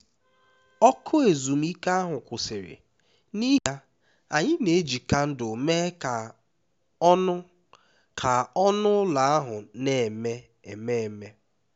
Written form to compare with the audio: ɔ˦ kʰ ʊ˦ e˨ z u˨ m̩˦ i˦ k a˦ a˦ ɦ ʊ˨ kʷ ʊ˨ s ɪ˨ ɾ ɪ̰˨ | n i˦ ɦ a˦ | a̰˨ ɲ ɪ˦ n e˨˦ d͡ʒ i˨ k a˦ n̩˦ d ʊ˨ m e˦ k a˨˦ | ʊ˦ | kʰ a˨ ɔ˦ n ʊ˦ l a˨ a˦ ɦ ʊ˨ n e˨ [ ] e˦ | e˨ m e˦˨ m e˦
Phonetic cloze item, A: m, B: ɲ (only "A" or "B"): A